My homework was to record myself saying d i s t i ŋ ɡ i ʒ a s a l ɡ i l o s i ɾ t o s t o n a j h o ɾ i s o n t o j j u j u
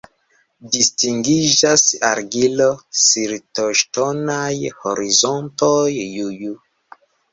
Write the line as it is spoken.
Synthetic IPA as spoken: d i s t i ŋ ɡ i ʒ a s a ɾ ɡ i l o s i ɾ t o ʃ t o n a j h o ɾ i z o n t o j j u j u

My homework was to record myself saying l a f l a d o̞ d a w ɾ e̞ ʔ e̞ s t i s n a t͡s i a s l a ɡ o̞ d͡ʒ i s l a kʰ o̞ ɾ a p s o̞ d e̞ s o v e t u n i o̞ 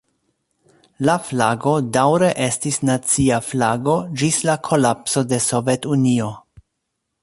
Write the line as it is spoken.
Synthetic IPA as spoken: l a f l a ɡ o̞ d a w ɾ e̞ ʔ e̞ s t i s n a t͡s i a f l a ɡ o̞ d͡ʒ i s l a kʰ o̞ l a p s o̞ d e̞ s o v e t u n i o̞

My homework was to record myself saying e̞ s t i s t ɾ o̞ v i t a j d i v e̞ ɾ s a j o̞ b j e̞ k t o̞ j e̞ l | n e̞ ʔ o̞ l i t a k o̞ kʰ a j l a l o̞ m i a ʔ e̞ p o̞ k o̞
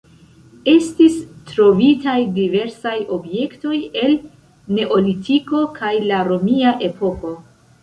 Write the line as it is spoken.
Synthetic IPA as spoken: e̞ s t i s t ɾ o̞ v i t a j d i v e̞ ɾ s a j o̞ b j e̞ k t o̞ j e̞ l | n e̞ ʔ o̞ l i t i k o̞ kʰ a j l a ɾ o̞ m i a ʔ e̞ p o̞ k o̞

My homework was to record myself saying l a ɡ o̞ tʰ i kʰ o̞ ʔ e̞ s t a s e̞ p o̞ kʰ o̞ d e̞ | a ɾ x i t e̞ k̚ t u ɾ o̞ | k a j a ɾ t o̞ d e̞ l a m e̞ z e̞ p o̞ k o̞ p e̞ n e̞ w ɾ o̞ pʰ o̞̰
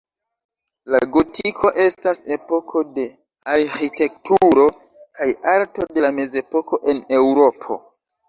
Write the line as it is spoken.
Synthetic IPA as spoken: l a ɡ o̞ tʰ i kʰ o̞ ʔ e̞ s t a s e̞ p o̞ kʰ o̞ d e̞ | a ɾ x i t e̞ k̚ t u ɾ o̞ | k a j a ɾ t o̞ d e̞ l a m e̞ z e̞ p o̞ k o̞ ʔ e̞ n e̞ w ɾ o̞ pʰ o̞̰

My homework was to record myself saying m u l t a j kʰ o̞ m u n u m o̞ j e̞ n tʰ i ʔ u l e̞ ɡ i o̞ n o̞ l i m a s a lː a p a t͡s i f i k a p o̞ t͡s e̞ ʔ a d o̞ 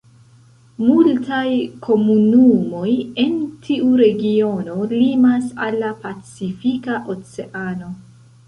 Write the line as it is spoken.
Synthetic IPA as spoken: m u l t a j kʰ o̞ m u n u m o̞ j e̞ n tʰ i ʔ u ɾ e̞ ɡ i o̞ n o̞ l i m a s a lː a p a t͡s i f i k a ʔ o̞ t͡s e̞ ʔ a n o̞

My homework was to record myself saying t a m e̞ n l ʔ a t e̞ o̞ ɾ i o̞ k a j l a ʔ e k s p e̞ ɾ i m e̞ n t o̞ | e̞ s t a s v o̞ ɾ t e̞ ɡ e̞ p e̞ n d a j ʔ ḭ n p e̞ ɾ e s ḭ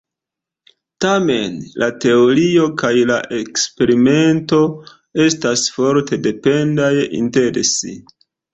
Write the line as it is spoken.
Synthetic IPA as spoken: t a m e̞ n l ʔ a t e̞ o̞ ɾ i o̞ k a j l a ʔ e k s p e̞ ɾ i m e̞ n t o̞ | e̞ s t a s f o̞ ɾ t e̞ d e̞ p e̞ n d a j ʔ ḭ n t e̞ ɾ e s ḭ

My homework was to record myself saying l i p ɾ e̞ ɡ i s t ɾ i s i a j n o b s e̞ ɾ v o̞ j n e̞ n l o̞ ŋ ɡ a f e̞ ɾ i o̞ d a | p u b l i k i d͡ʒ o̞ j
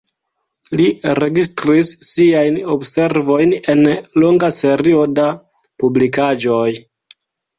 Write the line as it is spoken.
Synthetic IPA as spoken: l i ɾ e̞ ɡ i s t ɾ i sː i a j n o b s e̞ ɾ v o̞ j n e̞ n l o̞ ŋ ɡ a s e̞ ɾ i o̞ d a | p u b l i k a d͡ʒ o̞ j

